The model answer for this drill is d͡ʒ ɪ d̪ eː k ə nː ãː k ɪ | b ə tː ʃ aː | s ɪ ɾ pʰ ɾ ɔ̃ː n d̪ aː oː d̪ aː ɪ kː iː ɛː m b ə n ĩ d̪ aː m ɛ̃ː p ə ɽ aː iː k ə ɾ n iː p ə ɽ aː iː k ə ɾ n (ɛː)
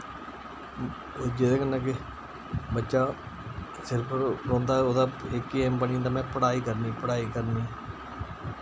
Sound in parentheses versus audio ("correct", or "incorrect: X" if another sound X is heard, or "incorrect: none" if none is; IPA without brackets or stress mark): incorrect: iː